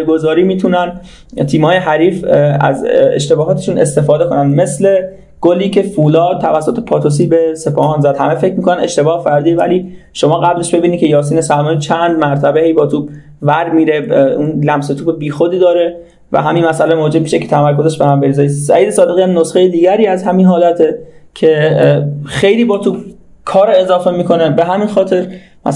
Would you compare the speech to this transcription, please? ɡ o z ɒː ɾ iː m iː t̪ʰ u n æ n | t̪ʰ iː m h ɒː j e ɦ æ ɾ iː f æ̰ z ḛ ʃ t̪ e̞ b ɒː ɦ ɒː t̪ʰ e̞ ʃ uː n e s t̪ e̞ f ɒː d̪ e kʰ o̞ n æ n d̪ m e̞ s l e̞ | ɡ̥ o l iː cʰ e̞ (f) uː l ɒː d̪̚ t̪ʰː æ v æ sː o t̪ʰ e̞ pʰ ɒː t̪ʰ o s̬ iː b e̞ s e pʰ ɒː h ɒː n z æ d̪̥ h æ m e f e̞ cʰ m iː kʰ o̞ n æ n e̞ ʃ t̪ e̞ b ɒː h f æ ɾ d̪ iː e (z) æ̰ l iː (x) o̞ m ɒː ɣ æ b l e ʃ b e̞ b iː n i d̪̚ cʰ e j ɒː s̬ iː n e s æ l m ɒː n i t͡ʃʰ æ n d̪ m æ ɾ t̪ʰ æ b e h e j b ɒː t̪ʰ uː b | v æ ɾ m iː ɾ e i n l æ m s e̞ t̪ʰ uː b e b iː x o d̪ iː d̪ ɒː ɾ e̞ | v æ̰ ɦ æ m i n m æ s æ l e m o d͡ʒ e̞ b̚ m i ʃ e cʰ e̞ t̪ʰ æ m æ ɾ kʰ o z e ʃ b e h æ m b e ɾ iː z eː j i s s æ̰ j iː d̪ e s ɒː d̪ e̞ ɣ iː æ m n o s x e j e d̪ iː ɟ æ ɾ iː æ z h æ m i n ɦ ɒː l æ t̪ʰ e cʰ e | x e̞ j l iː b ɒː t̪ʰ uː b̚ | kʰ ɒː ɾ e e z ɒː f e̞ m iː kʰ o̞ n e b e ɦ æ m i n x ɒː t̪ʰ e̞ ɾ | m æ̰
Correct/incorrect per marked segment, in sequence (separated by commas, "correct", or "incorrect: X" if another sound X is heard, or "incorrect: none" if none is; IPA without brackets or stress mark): correct, incorrect: v, incorrect: ʃ